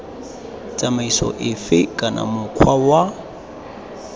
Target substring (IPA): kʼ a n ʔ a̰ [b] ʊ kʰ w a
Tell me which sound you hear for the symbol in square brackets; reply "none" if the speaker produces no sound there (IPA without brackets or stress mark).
m